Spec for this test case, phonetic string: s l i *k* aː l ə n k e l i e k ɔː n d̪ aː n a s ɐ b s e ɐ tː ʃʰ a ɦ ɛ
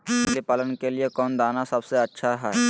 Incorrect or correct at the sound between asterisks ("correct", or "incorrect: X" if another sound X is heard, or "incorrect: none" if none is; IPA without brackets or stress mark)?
incorrect: p